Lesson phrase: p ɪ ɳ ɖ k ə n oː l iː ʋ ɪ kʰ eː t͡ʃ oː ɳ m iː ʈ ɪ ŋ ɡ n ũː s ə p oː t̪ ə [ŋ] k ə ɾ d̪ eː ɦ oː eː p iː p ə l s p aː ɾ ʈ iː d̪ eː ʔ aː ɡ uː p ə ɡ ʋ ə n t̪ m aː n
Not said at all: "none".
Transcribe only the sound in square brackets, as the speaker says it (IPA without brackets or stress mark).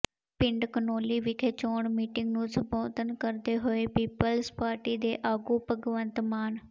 n